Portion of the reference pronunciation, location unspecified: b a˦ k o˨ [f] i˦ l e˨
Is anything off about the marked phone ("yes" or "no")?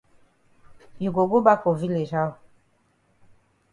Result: yes